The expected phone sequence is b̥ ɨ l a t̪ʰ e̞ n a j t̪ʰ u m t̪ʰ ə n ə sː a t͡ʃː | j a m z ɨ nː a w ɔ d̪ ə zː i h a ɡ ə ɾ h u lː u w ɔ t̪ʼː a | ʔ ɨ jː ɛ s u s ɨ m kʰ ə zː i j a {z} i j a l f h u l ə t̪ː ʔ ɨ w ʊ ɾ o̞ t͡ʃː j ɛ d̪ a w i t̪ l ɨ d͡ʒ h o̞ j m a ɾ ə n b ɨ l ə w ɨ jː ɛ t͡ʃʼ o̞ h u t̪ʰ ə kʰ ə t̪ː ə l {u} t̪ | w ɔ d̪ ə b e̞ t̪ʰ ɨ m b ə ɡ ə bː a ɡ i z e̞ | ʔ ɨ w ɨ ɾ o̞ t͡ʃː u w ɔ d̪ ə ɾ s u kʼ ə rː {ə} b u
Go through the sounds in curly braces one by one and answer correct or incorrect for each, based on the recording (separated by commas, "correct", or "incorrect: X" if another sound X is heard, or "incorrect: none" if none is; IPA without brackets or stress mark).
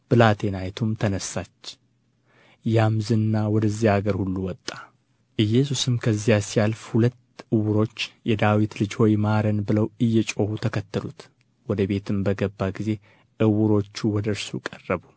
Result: incorrect: s, correct, correct